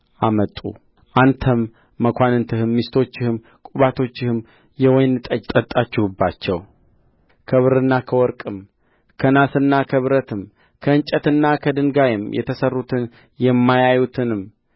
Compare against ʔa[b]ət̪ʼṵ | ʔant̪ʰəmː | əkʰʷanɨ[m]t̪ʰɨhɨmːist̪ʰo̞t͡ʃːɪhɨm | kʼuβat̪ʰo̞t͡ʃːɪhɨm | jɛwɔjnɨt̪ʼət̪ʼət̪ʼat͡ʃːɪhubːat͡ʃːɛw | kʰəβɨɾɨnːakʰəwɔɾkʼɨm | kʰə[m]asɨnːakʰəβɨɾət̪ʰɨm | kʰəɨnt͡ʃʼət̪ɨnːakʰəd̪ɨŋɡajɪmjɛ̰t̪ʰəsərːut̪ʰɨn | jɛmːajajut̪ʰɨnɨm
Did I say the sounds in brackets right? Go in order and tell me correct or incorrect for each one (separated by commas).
incorrect, incorrect, incorrect